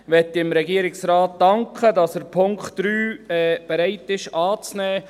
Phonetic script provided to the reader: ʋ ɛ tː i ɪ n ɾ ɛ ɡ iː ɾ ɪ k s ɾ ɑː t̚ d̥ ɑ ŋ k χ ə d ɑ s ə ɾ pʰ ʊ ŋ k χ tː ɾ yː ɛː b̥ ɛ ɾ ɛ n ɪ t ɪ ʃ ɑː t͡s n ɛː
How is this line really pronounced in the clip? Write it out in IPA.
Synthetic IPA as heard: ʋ ɛ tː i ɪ m ɾ ɛ ɡ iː ɾ ɪ k s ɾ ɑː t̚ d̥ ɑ ŋ k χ ə d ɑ s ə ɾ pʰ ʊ ŋ k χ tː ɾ yː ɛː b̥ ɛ ɾ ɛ ɪ t ɪ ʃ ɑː t͡s n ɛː